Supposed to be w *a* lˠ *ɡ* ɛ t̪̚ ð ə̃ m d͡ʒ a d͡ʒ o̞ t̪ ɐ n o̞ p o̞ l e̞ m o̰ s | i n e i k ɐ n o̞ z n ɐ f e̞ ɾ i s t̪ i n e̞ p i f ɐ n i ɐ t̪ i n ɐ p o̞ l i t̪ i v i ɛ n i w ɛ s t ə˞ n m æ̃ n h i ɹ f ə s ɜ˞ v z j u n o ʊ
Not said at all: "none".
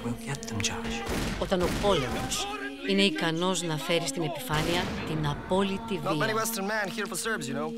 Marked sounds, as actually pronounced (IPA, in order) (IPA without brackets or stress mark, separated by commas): i, ɡ